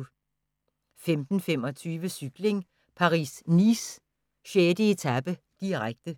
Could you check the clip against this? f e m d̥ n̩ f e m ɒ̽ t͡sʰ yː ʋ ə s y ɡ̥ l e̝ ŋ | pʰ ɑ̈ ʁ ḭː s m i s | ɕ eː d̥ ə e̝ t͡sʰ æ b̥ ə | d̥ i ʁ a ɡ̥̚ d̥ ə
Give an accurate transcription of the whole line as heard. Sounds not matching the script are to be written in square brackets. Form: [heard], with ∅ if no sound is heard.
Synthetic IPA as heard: f e m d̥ n̩ f e m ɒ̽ t͡sʰ yː ʋ ə s y ɡ̥ l e̝ ŋ | pʰ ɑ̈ ʁ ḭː s [n] i s | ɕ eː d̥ ə e̝ t͡sʰ æ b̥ ə | d̥ i ʁ a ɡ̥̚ d̥ ə